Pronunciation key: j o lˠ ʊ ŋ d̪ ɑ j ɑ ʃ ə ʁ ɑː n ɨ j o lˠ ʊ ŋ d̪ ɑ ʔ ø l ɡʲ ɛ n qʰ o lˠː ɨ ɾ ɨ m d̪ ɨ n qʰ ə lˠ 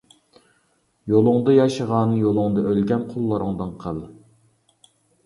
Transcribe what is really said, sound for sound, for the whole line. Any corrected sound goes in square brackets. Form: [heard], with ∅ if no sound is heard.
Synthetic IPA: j o lˠ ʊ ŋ d̪ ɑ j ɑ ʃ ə ʁ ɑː n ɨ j o lˠ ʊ ŋ d̪ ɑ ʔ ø l ɡʲ ɛ n qʰ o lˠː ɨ ɾ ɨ [ŋ] d̪ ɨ n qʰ ə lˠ